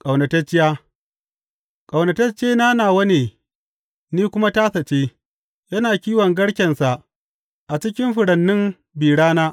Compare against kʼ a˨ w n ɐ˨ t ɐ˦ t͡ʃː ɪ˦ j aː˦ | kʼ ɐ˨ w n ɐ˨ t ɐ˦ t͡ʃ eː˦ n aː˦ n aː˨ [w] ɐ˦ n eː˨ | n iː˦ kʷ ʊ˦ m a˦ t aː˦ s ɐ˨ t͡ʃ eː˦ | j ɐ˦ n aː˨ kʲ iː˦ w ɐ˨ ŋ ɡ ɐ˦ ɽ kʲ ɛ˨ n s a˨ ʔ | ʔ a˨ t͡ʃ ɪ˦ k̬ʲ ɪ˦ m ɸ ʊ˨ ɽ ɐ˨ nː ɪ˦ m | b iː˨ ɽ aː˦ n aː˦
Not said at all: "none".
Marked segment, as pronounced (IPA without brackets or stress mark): w